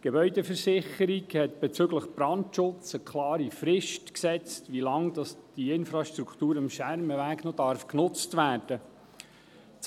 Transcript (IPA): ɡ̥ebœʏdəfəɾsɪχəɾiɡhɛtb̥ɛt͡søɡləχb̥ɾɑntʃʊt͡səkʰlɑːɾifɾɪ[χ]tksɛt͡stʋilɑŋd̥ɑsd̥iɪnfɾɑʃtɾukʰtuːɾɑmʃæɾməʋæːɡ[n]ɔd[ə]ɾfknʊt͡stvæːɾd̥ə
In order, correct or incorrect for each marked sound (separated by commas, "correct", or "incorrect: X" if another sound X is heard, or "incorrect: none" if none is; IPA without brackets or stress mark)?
incorrect: ʃ, correct, incorrect: ɑ